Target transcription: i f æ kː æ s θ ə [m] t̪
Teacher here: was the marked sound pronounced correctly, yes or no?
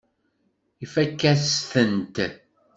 no